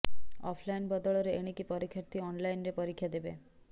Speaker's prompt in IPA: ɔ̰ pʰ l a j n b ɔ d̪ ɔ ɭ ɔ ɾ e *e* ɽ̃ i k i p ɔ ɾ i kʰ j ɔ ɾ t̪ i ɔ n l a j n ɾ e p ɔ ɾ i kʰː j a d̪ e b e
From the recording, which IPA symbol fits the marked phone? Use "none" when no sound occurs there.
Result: e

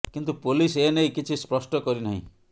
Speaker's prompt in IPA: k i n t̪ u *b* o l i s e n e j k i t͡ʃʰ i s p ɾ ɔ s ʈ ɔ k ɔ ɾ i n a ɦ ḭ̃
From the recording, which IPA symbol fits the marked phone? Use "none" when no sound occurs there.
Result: p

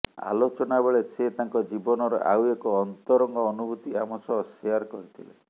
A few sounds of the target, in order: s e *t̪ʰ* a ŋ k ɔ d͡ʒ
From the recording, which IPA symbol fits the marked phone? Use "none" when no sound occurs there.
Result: t̪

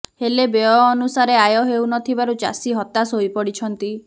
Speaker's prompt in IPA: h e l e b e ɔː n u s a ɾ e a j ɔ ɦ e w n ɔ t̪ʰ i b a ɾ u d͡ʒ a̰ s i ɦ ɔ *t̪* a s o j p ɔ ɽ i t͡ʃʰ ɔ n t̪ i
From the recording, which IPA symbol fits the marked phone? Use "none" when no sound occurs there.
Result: t̪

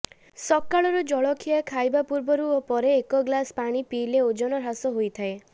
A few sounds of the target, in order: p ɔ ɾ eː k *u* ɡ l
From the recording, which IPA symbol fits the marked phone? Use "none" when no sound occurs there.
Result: ɔ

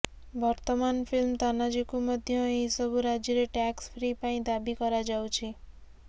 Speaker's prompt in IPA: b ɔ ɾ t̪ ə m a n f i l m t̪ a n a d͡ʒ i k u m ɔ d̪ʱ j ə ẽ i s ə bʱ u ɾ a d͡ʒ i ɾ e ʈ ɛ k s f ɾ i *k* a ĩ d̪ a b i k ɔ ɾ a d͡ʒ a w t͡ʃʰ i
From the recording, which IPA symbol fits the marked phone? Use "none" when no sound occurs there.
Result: p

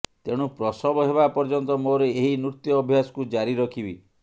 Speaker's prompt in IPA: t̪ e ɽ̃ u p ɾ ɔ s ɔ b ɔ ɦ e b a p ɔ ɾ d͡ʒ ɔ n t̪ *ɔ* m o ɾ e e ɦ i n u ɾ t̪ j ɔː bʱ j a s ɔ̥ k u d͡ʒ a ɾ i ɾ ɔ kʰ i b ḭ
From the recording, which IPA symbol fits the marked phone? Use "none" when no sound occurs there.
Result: ɔ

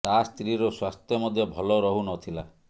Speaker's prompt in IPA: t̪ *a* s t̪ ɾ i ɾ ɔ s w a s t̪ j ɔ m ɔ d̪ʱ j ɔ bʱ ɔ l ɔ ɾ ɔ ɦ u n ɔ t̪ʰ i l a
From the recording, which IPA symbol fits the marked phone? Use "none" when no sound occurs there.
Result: a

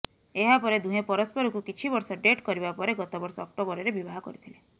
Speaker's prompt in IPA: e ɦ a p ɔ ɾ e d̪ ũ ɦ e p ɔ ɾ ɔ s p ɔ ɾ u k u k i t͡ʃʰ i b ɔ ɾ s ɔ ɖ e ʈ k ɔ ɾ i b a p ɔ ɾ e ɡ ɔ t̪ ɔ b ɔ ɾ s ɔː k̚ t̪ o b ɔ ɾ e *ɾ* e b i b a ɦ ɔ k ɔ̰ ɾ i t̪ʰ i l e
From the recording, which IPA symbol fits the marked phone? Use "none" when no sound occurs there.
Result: ɾ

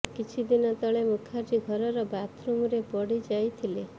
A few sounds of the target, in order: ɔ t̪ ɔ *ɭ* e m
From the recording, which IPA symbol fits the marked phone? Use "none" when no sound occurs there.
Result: ɭ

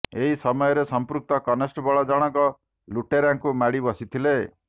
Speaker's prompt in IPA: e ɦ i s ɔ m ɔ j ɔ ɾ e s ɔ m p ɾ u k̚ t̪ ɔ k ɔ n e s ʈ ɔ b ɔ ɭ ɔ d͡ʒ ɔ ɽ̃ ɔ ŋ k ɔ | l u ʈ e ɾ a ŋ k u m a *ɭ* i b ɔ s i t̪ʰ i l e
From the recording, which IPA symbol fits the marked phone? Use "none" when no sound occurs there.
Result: ɽ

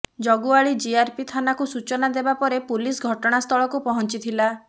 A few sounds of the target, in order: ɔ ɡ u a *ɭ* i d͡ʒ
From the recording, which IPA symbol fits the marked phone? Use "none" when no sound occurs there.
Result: ɭ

